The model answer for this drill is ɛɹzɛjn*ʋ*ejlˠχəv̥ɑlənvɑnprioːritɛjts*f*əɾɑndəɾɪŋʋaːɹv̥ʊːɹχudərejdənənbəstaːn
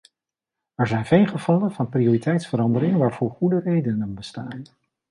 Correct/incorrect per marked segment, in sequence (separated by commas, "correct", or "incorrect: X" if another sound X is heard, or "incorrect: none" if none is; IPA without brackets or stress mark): incorrect: v, correct